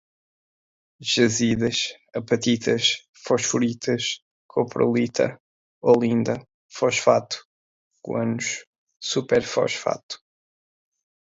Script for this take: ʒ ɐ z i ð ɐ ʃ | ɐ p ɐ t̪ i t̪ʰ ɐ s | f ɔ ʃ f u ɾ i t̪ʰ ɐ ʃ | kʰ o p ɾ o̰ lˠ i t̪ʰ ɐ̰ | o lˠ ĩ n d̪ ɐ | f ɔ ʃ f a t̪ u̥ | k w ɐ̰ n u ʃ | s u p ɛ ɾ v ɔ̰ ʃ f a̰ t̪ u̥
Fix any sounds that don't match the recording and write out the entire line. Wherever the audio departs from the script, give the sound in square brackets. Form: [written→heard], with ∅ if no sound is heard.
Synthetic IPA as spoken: ʒ ɐ z i ð ɐ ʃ | ɐ p ɐ t̪ i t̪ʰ ɐ [s→ʃ] | f ɔ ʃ f u ɾ i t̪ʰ ɐ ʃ | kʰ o p ɾ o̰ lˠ i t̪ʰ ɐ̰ | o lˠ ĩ n d̪ ɐ | f ɔ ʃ f a t̪ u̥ | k w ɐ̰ n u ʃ | s u p ɛ ɾ [v→f] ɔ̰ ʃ f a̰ t̪ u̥